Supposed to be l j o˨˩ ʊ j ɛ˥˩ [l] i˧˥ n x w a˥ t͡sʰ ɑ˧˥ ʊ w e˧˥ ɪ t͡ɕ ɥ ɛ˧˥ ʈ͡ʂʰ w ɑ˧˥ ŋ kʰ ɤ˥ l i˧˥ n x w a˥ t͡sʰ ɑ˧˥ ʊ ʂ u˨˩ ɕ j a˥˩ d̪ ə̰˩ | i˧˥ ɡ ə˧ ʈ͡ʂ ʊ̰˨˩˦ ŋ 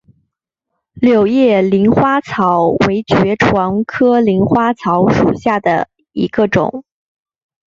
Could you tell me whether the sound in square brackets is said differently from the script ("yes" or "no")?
no